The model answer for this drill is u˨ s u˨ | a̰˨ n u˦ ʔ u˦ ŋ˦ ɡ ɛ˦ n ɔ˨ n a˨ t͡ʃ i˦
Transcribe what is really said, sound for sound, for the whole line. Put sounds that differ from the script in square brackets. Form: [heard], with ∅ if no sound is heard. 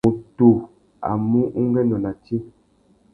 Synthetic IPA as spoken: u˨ [t] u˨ | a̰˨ [m] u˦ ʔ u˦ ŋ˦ ɡ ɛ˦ n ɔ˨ n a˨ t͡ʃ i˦